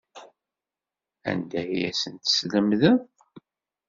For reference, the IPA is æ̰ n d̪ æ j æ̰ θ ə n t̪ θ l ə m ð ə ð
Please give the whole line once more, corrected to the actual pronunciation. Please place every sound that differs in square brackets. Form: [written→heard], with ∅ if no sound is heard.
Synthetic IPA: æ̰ n d̪ æ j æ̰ [θ→s] ə n t̪ [θ→s] l ə m ð ə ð